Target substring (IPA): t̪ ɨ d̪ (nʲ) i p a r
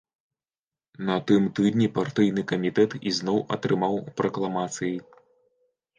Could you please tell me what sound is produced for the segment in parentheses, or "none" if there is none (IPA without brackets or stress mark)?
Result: nʲ